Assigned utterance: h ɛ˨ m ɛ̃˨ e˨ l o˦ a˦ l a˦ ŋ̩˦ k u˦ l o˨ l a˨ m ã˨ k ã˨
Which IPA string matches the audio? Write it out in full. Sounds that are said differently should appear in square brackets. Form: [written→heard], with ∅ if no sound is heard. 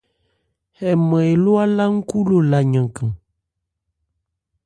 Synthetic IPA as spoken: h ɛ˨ m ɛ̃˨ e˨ l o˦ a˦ l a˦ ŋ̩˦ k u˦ l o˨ l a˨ [m→ɲ] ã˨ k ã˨

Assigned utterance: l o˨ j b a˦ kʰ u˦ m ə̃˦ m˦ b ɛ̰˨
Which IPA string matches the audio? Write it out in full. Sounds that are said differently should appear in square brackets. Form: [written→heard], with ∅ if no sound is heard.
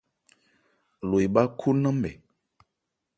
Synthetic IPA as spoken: l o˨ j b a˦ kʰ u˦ [m→n] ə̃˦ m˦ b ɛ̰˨

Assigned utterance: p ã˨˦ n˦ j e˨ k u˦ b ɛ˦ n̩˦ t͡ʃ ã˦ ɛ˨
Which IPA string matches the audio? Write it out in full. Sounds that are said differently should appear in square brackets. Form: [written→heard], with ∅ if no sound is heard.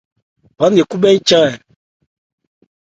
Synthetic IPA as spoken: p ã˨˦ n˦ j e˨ k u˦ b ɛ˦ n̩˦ t͡ʃ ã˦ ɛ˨

